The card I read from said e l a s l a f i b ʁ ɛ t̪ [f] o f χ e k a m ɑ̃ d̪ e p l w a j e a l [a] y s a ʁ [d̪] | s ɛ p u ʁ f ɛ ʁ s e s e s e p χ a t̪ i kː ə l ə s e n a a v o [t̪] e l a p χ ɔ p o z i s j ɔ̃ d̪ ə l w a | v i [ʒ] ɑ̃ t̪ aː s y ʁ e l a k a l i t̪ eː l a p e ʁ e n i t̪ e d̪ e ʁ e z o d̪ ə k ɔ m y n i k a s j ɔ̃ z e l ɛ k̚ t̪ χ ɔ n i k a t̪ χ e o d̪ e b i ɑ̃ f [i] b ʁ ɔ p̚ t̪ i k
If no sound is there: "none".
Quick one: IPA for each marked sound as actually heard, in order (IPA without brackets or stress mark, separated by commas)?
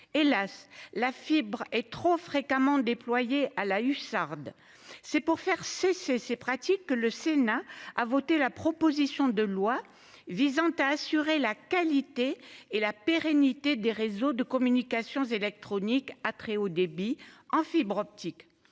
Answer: χ, a, d̪, t̪, z, i